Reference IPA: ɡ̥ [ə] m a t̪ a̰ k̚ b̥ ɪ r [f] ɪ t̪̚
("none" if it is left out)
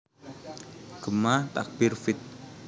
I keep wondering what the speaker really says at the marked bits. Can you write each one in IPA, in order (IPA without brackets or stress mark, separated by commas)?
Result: ə, f